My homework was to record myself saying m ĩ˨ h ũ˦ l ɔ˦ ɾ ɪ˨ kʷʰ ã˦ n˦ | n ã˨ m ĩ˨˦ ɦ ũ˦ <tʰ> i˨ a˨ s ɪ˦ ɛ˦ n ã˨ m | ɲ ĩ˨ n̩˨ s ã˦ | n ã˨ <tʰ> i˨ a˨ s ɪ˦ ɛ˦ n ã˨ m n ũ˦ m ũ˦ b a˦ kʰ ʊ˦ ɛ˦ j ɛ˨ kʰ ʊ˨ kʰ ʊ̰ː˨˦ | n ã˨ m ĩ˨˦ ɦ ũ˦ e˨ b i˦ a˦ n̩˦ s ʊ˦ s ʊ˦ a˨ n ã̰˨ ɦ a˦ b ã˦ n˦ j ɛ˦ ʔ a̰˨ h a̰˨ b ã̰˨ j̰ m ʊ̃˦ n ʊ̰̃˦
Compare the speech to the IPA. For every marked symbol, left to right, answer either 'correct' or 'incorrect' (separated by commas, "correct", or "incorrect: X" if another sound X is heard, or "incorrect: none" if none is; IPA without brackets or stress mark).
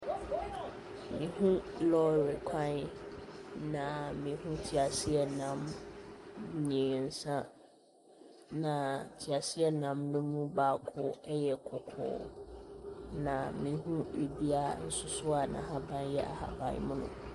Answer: correct, correct